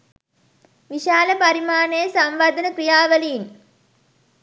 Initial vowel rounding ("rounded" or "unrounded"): unrounded